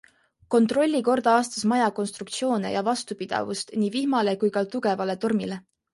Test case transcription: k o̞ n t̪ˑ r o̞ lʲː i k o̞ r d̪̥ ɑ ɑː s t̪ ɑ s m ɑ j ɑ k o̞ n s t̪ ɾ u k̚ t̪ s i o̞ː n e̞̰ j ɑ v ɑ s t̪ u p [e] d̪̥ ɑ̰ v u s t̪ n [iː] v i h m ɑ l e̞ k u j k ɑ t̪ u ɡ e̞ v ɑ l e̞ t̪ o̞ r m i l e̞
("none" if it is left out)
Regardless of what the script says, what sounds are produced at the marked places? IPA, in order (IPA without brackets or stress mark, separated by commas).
i, iː